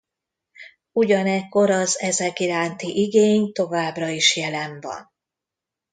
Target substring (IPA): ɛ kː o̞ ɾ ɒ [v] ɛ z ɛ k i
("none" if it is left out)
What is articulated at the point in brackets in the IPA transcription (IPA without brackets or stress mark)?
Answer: z